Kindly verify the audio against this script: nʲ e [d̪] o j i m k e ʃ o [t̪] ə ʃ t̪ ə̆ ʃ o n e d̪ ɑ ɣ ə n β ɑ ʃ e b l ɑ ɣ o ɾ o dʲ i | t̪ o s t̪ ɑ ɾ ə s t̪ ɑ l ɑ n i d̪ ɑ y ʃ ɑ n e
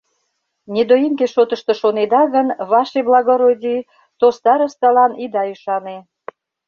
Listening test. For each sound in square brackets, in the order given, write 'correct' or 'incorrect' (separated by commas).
correct, correct